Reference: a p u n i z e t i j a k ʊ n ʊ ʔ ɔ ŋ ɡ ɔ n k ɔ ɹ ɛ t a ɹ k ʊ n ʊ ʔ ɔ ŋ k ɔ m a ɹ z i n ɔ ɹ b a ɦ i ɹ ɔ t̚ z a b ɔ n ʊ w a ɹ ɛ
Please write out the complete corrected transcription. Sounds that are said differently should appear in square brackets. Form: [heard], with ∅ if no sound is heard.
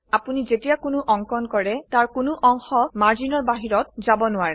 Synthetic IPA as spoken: a p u n i z e t i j a k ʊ n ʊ ʔ ɔ ŋ [k] ɔ n k ɔ ɹ ɛ t a ɹ k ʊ n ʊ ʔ ɔ ŋ [x] ɔ m a ɹ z i n ɔ ɹ b a ɦ i ɹ ɔ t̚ z a b ɔ n ʊ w a ɹ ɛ

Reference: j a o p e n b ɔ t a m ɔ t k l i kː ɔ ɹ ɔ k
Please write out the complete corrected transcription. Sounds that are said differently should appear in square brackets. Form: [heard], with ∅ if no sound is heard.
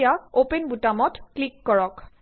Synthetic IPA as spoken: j a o p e n b [u] t a m ɔ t k l i kː ɔ ɹ ɔ k

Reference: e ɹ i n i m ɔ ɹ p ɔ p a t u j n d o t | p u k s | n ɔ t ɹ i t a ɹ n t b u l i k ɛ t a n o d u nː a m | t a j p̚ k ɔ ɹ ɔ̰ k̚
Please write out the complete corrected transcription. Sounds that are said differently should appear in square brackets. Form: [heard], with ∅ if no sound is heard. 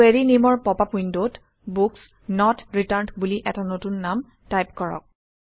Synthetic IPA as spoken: e ɹ i n i m ɔ ɹ p ɔ p a [p] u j n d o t | [b] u k s | n ɔ t ɹ i t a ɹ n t b u l i [ʔ] ɛ t a n o [t] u nː a m | t a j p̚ k ɔ ɹ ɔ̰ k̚

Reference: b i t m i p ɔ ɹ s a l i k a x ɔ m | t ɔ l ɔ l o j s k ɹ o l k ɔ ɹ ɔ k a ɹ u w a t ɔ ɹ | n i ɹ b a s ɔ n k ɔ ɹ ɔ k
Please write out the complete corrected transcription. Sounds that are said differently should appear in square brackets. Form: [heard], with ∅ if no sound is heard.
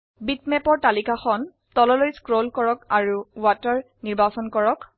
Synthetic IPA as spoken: b i t m [ɛ] p ɔ ɹ [t] a l i k a x ɔ [n] | t ɔ l ɔ l o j s k ɹ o l k ɔ ɹ ɔ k a ɹ u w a t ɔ ɹ | n i ɹ b a s ɔ n k ɔ ɹ ɔ k

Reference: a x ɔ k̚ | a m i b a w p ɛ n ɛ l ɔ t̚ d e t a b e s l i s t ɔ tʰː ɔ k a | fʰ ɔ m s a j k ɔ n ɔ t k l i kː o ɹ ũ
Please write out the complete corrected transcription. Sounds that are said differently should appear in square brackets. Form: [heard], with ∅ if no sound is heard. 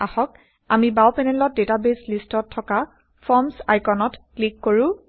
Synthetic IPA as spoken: a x ɔ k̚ | a m i b a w p ɛ n ɛ l ɔ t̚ d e t a b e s l i s t ɔ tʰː ɔ k a | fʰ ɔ m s a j k ɔ n ɔ t k l i kː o ɹ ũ

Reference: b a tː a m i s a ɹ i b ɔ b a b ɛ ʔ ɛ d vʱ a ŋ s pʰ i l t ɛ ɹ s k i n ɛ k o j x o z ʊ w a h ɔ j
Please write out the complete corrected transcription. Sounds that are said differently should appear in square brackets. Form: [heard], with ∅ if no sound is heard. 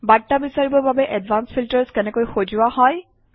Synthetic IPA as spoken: b a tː a [b] i s a ɹ i b ɔ b a b ɛ ʔ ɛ d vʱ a [n] s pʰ i l t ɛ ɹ s k [ɛ] n ɛ k o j x o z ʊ w a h ɔ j

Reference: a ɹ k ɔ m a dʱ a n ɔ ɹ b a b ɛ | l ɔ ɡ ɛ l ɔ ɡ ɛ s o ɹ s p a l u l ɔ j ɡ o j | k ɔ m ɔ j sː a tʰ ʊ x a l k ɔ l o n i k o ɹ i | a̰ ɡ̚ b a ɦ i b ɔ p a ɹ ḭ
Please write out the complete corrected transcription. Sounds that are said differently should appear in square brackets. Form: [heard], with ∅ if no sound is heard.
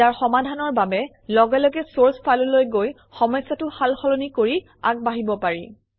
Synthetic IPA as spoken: a ɹ [x] ɔ m a dʱ a n ɔ ɹ b a b ɛ | l ɔ ɡ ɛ l ɔ ɡ ɛ s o ɹ s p a l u l [o] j ɡ o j | [x] ɔ m ɔ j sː a [t] ʊ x a l [x] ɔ l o n i k o ɹ i | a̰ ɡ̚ b a ɦ i b ɔ p a ɹ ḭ

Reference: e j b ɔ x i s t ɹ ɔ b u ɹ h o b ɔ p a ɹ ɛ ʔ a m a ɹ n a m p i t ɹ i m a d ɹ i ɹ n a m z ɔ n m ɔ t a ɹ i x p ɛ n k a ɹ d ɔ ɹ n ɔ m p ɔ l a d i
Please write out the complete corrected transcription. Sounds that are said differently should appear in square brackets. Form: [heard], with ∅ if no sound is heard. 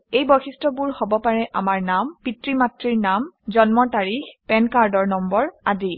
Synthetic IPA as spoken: e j b ɔ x i s t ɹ ɔ b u ɹ h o b ɔ p a ɹ ɛ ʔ a m a ɹ n a m p i t ɹ i m a [t] ɹ i ɹ n a m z ɔ n m ɔ t a ɹ i x p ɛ n k a ɹ d ɔ ɹ n ɔ m [b] ɔ [ɹ] a d i

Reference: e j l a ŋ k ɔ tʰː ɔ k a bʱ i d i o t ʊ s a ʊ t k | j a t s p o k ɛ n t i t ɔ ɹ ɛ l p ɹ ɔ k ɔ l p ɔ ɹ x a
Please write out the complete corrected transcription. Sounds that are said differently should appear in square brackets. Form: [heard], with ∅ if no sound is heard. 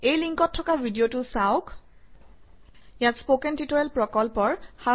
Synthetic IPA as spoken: e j l [i] ŋ k ɔ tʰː ɔ k a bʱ i d i o t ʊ s a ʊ [∅] k | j a t s p o k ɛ n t i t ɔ ɹ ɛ l p ɹ ɔ k ɔ l p ɔ ɹ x a

